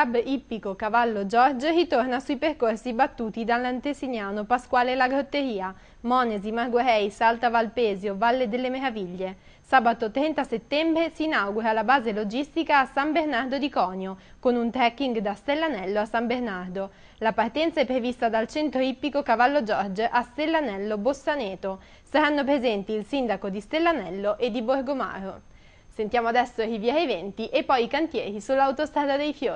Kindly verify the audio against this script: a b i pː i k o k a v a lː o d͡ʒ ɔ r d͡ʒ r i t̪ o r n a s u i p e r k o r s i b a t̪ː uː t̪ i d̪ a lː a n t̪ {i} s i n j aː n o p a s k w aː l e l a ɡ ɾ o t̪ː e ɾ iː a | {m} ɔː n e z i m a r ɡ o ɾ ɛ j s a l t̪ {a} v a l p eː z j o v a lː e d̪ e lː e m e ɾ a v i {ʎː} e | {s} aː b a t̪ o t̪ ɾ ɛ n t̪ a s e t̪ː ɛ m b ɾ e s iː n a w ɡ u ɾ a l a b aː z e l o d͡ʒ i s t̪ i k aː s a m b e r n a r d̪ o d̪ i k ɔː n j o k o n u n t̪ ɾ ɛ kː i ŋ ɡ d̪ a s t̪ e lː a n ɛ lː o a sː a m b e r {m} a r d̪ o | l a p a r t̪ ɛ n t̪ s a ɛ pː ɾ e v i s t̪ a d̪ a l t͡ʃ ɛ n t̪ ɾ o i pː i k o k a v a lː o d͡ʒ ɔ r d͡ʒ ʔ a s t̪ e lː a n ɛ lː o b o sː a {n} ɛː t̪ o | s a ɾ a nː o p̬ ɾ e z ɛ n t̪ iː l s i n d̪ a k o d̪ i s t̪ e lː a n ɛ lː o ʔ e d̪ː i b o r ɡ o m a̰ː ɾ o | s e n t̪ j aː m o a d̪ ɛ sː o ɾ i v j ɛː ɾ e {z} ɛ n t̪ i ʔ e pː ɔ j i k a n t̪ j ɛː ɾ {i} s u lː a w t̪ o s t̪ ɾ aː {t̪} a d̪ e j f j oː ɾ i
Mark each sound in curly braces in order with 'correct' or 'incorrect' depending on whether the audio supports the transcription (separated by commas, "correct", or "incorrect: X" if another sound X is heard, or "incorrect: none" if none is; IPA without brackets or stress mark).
incorrect: e, correct, correct, correct, correct, incorrect: n, correct, incorrect: v, correct, incorrect: d̪